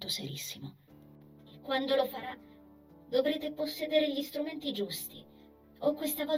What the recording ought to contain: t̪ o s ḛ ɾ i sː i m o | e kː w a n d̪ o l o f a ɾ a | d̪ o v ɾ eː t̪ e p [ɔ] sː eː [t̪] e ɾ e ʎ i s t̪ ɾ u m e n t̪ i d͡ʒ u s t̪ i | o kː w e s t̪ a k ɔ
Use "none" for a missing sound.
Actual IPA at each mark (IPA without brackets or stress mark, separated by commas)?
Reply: o, d̪